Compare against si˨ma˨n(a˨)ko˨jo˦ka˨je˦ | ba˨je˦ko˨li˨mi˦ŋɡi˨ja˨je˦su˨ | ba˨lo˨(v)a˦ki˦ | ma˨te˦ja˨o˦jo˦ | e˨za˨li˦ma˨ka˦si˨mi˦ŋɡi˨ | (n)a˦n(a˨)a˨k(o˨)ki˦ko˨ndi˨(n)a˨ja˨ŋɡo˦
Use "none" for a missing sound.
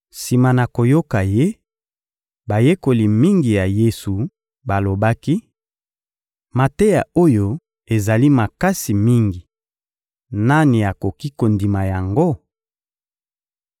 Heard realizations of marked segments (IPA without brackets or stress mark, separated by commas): a˨, b, n, i˨, o˨, m